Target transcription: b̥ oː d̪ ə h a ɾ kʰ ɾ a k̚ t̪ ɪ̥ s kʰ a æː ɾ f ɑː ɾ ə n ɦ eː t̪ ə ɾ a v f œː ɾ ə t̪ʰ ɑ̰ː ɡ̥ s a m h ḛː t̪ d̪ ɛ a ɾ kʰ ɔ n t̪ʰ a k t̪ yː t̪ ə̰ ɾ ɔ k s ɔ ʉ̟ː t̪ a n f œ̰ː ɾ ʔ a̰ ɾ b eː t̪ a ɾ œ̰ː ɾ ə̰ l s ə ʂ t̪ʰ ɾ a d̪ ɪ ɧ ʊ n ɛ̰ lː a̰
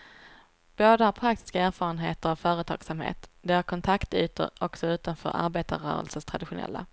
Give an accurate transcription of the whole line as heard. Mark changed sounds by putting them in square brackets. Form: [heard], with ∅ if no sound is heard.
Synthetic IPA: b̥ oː d̪ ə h a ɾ [pʰ] ɾ a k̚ t̪ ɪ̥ s [k] a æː ɾ f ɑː ɾ ə n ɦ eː t̪ ə ɾ a v f œː ɾ ə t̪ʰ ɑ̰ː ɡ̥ s a m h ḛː t̪ d̪ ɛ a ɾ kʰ ɔ n t̪ʰ a k t̪ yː t̪ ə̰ ɾ ɔ k s ɔ ʉ̟ː t̪ a n f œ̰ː ɾ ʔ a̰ ɾ b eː t̪ a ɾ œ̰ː ɾ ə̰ l s ə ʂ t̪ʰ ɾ a d̪ ɪ ɧ ʊ n ɛ̰ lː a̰

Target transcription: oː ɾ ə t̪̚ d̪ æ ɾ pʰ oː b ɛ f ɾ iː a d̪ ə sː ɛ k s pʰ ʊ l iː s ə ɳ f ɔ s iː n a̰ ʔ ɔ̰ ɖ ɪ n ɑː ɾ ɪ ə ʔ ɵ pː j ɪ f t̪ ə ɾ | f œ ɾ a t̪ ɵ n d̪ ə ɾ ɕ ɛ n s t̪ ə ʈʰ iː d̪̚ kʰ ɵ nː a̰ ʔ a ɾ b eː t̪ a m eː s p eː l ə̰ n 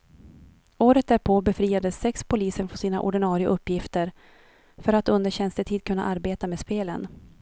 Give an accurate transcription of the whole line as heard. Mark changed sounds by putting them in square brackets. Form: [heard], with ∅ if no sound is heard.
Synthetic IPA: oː ɾ ə t̪̚ d̪ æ ɾ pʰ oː b ɛ f ɾ iː a d̪ ə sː ɛ k s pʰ ʊ l iː s ə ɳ f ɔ s iː n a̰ ʔ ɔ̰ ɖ ɪ n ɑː ɾ ɪ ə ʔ ɵ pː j ɪ f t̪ ə ɾ | f œ ɾ a t̪ ɵ n d̪ ə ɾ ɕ ɛ n s t̪ ə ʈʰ iː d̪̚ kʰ ɵ nː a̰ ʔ a ɾ b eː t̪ a m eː s p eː l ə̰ n

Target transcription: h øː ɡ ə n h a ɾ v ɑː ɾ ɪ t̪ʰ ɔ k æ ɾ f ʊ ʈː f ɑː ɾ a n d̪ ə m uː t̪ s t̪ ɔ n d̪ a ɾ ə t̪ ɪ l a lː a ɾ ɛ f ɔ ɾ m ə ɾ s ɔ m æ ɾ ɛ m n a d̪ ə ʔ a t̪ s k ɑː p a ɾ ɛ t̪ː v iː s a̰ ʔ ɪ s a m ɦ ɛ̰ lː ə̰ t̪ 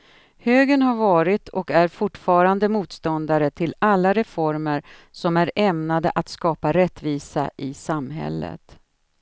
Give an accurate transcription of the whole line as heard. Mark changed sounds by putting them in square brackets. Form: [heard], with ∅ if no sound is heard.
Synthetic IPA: h øː ɡ ə n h a ɾ v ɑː ɾ ɪ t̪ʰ ɔ k æ ɾ f ʊ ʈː f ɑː ɾ a n d̪ ə m uː t̪ s t̪ ɔ n d̪ a ɾ ə [t̪ʰ] ɪ l a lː a ɾ ɛ f ɔ ɾ m ə ɾ s ɔ m æ ɾ ɛ m n a d̪ ə ʔ a t̪ s k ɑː p a ɾ ɛ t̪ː v iː s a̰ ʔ ɪ s a m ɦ ɛ̰ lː ə̰ t̪

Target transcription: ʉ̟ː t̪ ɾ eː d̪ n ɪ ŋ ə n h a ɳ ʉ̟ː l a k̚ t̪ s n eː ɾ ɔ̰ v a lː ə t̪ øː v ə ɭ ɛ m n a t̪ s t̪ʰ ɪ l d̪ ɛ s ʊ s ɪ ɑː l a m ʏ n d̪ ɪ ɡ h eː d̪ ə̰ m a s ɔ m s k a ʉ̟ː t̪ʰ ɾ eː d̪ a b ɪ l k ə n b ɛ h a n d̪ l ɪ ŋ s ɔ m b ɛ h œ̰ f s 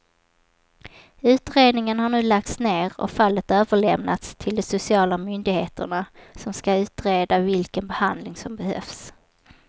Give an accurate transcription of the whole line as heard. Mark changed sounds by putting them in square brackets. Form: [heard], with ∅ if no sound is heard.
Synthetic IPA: ʉ̟ː t̪ ɾ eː d̪ n ɪ ŋ ə n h a ɳ ʉ̟ː l a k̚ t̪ s n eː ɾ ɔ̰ [f] a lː ə t̪ øː v ə ɭ ɛ m n a t̪ s t̪ʰ ɪ l d̪ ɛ s ʊ s ɪ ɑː l a m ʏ n d̪ ɪ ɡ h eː [t̪] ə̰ [ɳ] a s ɔ m s k a ʉ̟ː [t̪] ɾ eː d̪ a [v] ɪ l k ə n b ɛ h a n d̪ l ɪ ŋ s ɔ m b ɛ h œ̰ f s

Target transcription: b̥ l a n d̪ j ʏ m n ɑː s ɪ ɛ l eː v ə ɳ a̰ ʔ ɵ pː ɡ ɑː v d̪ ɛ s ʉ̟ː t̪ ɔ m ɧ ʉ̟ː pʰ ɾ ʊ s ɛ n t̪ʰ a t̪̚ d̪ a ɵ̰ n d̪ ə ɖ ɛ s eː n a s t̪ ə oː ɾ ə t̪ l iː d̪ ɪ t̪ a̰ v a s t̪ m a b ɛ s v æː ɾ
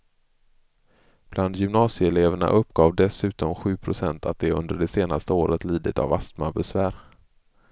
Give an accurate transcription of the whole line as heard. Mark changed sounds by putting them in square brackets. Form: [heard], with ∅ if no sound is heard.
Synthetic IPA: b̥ l a n d̪ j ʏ m n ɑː s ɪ ɛ l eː v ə ɳ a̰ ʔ ɵ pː ɡ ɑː v d̪ ɛ s ʉ̟ː t̪ ɔ m ɧ ʉ̟ː pʰ ɾ ʊ s ɛ n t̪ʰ a t̪̚ d̪ [ɛ] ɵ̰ n d̪ ə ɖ ɛ s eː n a s t̪ ə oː ɾ ə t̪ l iː d̪ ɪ t̪ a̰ v a s t̪ m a b ɛ s v æː ɾ

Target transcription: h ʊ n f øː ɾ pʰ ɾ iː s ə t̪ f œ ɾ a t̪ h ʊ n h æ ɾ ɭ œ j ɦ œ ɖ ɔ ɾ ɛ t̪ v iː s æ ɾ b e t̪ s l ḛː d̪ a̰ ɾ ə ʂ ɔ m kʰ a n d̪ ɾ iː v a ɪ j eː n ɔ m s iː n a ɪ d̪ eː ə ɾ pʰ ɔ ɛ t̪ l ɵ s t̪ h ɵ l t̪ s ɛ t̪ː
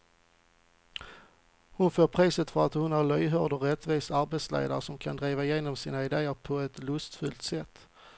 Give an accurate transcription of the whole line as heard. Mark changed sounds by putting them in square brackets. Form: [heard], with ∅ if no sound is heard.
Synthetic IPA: h ʊ n f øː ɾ pʰ ɾ iː s ə t̪ f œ ɾ a t̪ h ʊ n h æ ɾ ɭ œ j ɦ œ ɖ ɔ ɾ ɛ t̪ v iː s [a] ɾ b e t̪ s l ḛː d̪ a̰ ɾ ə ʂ ɔ m kʰ a n d̪ ɾ iː v a ɪ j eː n ɔ m s iː n a ɪ d̪ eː ə ɾ pʰ ɔ ɛ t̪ l ɵ s t̪ [f] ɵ l t̪ s ɛ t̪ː

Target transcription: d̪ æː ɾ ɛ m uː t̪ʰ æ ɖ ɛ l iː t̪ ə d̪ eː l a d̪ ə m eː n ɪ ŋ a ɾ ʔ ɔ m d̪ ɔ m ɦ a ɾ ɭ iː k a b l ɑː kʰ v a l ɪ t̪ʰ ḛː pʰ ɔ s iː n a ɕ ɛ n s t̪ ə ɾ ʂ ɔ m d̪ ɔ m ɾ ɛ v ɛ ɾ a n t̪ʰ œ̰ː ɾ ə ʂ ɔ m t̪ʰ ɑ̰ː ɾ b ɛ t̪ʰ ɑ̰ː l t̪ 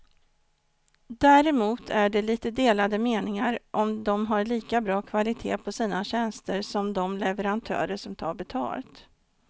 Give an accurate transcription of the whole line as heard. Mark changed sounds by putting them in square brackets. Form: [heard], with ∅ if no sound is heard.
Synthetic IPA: d̪ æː ɾ ɛ m uː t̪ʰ æ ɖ ɛ l iː t̪ ə d̪ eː l a d̪ ə m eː n ɪ ŋ a ɾ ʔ ɔ m d̪ ɔ m ɦ a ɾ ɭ iː k a b [ɾ] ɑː kʰ v a l ɪ t̪ʰ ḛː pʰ ɔ s iː n a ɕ ɛ n s t̪ ə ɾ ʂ ɔ m d̪ ɔ m [l] ɛ v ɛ ɾ a n t̪ʰ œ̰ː ɾ ə ʂ ɔ m t̪ʰ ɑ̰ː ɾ b ɛ t̪ʰ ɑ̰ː l t̪

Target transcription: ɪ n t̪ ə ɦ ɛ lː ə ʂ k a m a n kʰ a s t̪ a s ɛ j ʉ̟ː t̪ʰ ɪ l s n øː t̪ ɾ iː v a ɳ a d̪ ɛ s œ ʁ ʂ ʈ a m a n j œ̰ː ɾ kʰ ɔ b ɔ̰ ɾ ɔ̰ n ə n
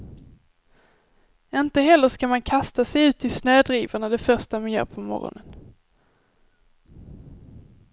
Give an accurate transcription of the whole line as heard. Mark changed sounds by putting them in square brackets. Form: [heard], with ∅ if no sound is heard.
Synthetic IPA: ɪ n t̪ ə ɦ ɛ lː ə ʂ k a m a n kʰ a s t̪ a s ɛ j ʉ̟ː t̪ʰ ɪ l s n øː [d̪] ɾ iː v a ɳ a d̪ ɛ [f] œ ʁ ʂ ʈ a m a n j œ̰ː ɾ [pʰ] ɔ [m] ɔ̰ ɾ ɔ̰ n ə n

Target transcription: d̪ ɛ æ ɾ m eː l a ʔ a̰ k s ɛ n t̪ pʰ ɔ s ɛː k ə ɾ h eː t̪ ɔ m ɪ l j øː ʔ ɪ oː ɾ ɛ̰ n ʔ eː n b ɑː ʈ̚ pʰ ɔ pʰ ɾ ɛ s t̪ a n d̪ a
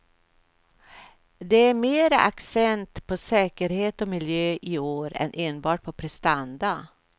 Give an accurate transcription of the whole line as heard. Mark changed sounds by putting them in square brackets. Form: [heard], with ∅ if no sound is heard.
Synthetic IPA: d̪ ɛ æ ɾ m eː [ɾ] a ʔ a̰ k s ɛ n t̪ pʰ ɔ s ɛː k ə ɾ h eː t̪ ɔ m ɪ l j øː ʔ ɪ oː ɾ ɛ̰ n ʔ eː n b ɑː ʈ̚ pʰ ɔ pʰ ɾ ɛ s t̪ a n d̪ a

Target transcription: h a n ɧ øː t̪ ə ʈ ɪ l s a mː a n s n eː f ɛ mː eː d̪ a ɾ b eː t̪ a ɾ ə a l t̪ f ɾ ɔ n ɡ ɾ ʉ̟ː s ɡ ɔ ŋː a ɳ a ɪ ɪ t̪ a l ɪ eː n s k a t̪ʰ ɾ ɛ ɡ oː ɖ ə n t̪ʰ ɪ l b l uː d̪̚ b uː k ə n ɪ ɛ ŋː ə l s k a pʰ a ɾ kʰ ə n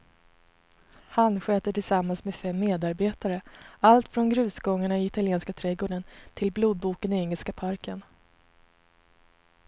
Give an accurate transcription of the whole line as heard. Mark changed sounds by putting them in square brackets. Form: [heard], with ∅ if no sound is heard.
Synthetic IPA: h a n ɧ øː t̪ ə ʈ ɪ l s a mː a n s [m] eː f ɛ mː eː d̪ a ɾ b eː t̪ a ɾ ə a l t̪ f ɾ ɔ n ɡ ɾ ʉ̟ː s ɡ ɔ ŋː a ɳ a ɪ ɪ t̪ a l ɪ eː n s k a t̪ʰ ɾ ɛ ɡ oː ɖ ə n t̪ʰ ɪ l b l uː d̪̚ b uː k ə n ɪ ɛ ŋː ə l s k a pʰ a ɾ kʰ ə n

